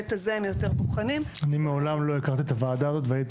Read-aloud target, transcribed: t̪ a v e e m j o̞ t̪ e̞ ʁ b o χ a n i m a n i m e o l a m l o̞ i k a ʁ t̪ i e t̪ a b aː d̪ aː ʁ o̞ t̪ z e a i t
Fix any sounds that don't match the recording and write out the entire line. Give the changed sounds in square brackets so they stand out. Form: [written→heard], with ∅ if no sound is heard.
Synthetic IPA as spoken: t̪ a [v→z] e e m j o̞ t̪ e̞ ʁ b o χ a n i m a n i m e o l a m l o̞ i k a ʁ t̪ i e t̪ a [b→v] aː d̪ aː [ʁ→z] o̞ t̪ [z→v] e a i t